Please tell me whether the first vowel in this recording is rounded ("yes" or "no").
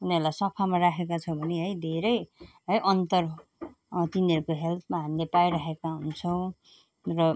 yes